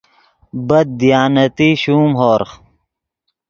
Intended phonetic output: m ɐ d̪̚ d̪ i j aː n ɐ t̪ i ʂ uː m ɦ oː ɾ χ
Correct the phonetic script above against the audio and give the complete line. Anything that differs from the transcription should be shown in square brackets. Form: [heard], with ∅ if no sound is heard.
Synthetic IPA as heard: [b] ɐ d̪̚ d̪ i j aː n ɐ t̪ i [ɕ] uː m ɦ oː ɾ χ

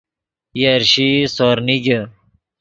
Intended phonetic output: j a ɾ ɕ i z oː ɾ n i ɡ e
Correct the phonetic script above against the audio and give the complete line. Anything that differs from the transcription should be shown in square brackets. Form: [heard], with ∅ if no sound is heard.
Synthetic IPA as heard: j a ɾ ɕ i [s] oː ɾ n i ɡ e

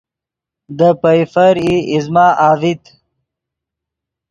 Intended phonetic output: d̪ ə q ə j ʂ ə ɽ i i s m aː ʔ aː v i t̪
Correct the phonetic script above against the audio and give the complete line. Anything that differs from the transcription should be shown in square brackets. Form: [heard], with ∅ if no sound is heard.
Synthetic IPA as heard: d̪ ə [p] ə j [f] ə [ɾ] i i [z] m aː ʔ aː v i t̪

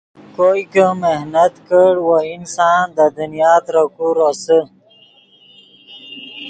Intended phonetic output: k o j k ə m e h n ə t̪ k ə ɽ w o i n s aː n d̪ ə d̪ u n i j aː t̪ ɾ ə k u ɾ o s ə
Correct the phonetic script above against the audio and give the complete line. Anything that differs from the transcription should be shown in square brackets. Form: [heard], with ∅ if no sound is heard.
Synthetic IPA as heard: k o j k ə m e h n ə t̪ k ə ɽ w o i n s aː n d̪ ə d̪ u n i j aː t̪ ɾ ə k u ɾ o s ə

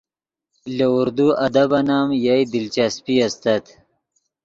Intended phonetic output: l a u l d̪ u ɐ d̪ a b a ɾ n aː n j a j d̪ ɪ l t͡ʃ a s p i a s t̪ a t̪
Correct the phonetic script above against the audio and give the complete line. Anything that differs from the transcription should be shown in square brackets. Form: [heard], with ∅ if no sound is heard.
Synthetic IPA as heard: l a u [ɾ] d̪ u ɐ d̪ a b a [∅] n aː [m] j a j d̪ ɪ l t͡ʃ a s p i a s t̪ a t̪

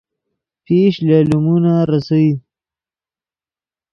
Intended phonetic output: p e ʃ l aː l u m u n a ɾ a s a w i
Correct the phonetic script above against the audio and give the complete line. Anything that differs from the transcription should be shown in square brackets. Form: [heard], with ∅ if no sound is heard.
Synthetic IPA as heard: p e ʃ l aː l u m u n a ɾ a s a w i

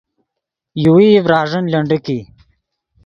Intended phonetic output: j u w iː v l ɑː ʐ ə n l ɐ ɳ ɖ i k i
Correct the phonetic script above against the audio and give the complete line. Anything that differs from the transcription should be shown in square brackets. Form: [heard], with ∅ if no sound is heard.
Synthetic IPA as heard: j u w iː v [ɾ] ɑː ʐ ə n l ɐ ɳ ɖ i k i

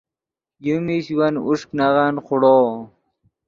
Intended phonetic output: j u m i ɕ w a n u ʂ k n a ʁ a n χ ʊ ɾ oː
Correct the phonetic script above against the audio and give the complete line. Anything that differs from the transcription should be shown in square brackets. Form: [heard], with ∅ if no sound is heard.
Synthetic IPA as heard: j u m i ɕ w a n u ʂ k n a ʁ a n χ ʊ [ɽ] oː

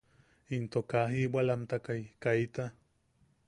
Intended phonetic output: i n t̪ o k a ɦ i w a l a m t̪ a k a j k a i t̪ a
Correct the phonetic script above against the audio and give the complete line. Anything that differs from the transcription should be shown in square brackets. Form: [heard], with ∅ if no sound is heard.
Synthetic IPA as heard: i n t̪ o k a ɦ i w a l a m t̪ a k a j k a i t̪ a

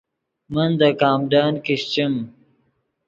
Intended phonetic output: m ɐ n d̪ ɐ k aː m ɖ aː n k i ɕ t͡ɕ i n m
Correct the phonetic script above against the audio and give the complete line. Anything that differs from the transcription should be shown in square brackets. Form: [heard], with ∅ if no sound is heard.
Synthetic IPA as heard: m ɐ n d̪ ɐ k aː m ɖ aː n k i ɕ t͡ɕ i [∅] m

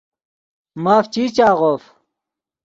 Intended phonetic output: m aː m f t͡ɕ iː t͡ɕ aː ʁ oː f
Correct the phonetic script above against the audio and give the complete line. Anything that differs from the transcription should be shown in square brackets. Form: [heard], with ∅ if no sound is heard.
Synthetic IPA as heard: m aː [∅] f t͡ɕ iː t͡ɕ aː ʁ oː f

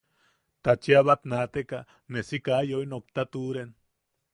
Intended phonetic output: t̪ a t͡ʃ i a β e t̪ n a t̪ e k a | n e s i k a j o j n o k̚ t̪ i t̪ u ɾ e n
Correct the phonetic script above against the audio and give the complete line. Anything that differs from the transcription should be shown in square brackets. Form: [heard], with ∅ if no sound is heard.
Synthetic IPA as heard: t̪ a t͡ʃ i a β [a] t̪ n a t̪ e k a | n e s i k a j o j n o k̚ t̪ [a] t̪ u ɾ e n

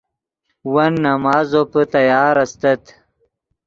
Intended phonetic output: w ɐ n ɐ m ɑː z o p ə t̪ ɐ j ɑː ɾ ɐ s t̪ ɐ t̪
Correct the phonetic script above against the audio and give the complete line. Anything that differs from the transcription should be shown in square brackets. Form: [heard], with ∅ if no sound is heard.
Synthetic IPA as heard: w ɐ [nː] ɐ m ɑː z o p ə t̪ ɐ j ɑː ɾ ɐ s t̪ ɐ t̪

